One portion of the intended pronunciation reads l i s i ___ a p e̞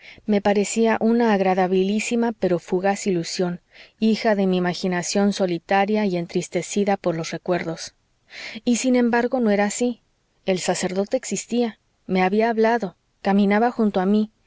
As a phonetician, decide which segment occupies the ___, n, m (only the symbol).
m